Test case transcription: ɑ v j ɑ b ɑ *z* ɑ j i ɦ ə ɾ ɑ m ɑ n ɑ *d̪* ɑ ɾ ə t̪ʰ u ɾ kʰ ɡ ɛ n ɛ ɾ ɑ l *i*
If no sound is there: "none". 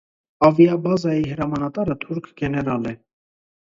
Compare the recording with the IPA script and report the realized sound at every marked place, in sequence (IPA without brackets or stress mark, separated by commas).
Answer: z, t̪, ɛ